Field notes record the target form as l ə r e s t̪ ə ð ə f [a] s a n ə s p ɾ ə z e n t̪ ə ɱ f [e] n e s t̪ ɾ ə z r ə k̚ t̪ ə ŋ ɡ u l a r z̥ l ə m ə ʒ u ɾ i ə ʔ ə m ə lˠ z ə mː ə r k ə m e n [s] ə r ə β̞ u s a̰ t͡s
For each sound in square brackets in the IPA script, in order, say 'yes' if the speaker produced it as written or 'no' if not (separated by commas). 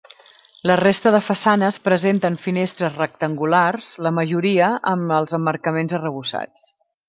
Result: no, no, no